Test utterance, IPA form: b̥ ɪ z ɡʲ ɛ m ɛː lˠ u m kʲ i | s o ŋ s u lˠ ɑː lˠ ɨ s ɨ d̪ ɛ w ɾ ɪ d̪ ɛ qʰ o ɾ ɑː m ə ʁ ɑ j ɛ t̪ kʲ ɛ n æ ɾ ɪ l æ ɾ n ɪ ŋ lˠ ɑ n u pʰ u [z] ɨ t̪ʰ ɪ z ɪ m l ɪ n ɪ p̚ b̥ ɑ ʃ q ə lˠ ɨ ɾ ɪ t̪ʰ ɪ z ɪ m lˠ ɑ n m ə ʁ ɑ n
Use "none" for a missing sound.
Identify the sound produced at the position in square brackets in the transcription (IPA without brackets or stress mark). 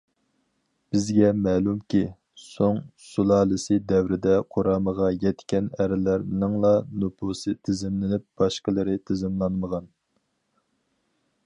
s